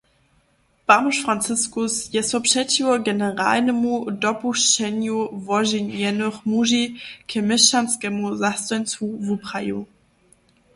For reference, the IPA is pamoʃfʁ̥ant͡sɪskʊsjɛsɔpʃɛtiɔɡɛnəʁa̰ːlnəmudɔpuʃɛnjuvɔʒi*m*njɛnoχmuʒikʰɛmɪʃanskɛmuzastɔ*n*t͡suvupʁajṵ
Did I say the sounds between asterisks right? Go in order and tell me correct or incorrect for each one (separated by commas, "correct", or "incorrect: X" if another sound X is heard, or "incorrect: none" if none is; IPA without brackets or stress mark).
incorrect: none, correct